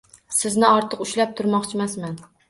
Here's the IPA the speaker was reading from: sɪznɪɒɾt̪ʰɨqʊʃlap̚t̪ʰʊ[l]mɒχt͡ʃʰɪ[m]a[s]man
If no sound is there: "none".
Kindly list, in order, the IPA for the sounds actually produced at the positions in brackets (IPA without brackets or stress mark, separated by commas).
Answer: ɾ, m, s